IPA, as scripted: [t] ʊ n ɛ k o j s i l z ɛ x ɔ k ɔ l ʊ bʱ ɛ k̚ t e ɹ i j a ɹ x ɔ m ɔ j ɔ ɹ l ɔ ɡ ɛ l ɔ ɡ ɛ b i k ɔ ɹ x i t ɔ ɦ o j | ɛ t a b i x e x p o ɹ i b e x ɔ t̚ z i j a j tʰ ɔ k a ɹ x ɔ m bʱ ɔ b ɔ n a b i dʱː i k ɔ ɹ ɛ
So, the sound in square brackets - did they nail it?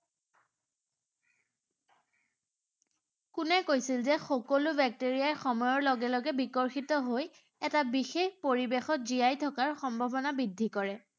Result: no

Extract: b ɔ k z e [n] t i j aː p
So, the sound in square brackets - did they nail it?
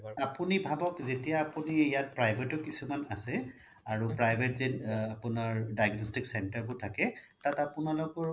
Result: no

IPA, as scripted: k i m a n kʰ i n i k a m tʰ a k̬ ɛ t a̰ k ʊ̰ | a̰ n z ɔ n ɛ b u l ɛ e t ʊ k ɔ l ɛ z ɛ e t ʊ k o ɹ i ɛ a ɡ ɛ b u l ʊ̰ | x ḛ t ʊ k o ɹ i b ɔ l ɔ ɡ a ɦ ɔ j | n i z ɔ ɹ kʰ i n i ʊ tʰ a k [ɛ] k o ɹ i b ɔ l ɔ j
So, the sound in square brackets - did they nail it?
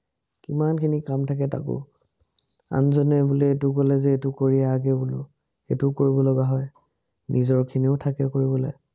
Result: yes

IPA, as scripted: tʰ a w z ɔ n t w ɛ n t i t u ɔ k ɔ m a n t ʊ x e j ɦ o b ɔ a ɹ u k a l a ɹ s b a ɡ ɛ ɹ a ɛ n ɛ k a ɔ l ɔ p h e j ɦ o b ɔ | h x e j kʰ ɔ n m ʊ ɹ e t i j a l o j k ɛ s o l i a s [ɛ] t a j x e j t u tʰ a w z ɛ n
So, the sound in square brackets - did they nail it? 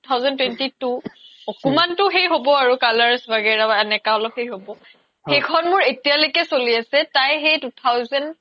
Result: yes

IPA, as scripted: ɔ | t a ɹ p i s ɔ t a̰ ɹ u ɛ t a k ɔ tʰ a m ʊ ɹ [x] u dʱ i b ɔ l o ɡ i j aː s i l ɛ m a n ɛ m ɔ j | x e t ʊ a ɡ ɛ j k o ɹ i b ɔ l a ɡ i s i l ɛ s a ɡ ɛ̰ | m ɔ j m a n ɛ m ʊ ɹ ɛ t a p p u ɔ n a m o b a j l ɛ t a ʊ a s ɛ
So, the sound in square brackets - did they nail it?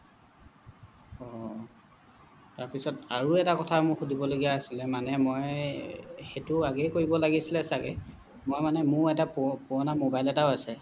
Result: yes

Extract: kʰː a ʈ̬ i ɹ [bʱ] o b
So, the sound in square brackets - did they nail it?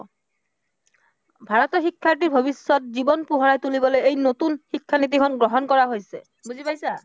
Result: yes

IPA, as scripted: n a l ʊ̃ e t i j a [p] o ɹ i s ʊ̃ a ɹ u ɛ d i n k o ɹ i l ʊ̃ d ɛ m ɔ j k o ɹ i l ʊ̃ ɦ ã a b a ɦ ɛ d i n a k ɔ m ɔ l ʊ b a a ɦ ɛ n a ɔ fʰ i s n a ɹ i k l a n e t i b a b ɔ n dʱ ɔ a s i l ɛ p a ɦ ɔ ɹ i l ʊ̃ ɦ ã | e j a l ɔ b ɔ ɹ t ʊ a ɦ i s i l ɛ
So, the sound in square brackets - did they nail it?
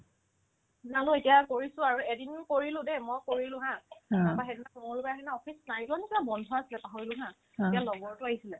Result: no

